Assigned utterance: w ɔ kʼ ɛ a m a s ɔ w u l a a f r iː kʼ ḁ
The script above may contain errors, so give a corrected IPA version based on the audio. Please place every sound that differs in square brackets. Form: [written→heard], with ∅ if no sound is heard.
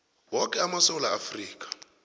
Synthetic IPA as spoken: w ɔ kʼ ɛ a m a s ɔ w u l a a f r iː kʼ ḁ

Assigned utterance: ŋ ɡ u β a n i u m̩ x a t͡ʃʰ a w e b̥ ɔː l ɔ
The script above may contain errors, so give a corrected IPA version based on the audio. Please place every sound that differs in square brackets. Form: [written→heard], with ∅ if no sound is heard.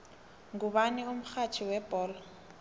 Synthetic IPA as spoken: ŋ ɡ u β a n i u m̩ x a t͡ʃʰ [a→i] w [e→ɛ] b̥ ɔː l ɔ

